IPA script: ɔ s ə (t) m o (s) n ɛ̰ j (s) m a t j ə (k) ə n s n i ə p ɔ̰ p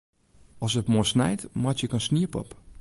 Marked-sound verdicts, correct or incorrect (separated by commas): correct, correct, incorrect, correct